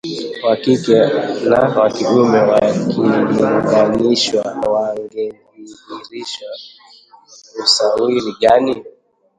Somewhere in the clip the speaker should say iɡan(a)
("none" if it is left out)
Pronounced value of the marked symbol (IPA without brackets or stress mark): i